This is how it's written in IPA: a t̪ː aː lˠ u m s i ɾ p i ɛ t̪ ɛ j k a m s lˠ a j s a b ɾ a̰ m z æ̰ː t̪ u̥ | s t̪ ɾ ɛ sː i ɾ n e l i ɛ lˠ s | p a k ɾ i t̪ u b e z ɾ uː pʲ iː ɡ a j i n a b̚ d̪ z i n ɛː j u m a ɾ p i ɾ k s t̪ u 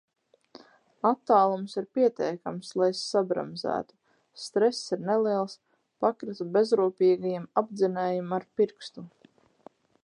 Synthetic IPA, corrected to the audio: a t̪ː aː lˠ u m s i ɾ p i ɛ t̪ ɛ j k a m s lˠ a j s a b ɾ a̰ m z æ̰ː t̪ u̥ | s t̪ ɾ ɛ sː i ɾ n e l i ɛ lˠ s | p a k ɾ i t̪ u b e z ɾ uː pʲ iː ɡ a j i m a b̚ d̪ z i n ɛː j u m a ɾ p i ɾ k s t̪ u